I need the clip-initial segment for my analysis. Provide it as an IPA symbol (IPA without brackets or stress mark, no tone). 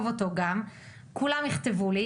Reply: v